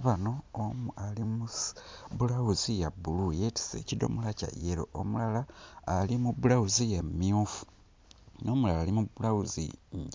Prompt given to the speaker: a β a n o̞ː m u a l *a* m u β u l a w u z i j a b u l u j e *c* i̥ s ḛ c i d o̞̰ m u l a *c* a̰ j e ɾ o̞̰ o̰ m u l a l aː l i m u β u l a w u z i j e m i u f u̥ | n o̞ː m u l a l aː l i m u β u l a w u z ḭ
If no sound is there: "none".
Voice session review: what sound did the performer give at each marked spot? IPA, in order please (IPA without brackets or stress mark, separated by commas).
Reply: i, t, c